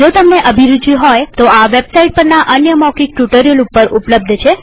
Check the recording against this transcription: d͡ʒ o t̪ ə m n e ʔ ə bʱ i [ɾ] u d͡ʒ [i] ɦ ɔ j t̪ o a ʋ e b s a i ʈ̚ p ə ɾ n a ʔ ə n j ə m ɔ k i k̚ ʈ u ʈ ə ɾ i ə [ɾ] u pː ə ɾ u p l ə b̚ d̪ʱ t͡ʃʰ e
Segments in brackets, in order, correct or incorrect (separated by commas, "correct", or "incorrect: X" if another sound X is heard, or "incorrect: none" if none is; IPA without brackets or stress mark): correct, correct, incorrect: l